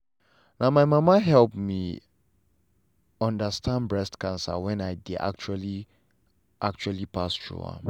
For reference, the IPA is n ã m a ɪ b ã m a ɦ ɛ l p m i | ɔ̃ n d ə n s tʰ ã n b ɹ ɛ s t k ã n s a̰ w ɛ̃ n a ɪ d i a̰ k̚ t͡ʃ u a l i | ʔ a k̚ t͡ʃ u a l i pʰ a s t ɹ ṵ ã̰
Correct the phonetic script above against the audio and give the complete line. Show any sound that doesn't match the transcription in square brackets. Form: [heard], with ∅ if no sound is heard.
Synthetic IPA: n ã m a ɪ [m] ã m a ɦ ɛ l p m i | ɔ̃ n d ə [∅] s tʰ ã n b ɹ ɛ s t k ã n s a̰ w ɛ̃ n a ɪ d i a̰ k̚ t͡ʃ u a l i | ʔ a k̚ t͡ʃ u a l i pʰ a s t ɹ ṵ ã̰